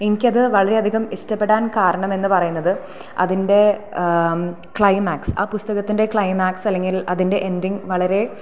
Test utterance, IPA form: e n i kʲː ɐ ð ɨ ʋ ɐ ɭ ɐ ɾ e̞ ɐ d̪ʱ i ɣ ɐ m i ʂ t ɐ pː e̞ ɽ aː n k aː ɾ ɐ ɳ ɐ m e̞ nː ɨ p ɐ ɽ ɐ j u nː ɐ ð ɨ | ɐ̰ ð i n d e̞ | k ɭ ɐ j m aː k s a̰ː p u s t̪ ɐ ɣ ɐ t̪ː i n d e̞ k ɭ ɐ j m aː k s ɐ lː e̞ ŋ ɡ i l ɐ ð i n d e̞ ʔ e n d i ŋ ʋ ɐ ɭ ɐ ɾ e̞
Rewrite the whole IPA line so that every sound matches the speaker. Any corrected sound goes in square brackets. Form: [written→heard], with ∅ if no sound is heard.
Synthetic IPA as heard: e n i kʲː ɐ ð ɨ ʋ ɐ ɭ ɐ ɾ e̞ ɐ d̪ʱ i ɣ ɐ m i ʂ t ɐ pː e̞ ɽ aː n k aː ɾ ɐ ɳ ɐ m e̞ nː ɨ p ɐ [ɽ→r] ɐ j u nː ɐ ð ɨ | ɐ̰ ð i n d e̞ | k ɭ ɐ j m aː k s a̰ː p u s t̪ ɐ ɣ ɐ t̪ː i n d e̞ k ɭ ɐ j m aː k s ɐ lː e̞ ŋ ɡ i l ɐ ð i n d e̞ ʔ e n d i ŋ ʋ ɐ ɭ ɐ ɾ e̞